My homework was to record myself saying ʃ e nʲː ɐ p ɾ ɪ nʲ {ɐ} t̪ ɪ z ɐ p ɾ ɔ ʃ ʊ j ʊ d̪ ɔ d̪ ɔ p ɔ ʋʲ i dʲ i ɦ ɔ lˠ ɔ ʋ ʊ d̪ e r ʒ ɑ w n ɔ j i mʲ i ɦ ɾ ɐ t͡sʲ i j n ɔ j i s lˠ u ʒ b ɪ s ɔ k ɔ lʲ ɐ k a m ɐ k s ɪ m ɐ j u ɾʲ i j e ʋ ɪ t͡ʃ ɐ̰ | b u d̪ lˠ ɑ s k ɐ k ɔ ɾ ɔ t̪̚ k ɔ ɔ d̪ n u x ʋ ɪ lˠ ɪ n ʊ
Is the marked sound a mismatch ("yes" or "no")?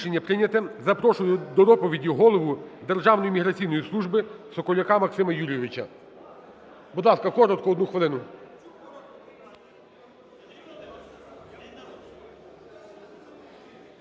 no